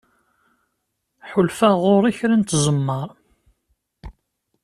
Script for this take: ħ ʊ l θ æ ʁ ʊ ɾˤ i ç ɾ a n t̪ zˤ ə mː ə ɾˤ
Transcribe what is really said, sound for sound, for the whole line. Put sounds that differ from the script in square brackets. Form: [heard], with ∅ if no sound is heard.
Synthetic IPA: ħ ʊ l [f] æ ʁ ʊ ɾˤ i ç ɾ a n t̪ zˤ ə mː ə ɾˤ